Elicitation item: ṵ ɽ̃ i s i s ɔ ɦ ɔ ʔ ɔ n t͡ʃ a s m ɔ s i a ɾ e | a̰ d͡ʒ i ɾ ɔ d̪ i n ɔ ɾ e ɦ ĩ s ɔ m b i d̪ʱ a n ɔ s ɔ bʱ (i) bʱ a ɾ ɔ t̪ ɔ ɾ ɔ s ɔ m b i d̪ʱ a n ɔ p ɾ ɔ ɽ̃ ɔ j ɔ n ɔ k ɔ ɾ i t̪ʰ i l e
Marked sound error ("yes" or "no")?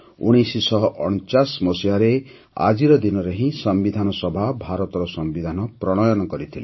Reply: yes